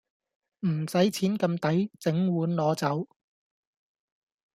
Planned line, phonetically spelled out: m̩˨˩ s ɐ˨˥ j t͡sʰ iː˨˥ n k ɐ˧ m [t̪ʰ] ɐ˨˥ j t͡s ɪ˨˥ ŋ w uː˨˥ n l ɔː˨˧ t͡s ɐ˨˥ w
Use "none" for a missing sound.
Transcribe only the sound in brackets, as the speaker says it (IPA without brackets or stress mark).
t̪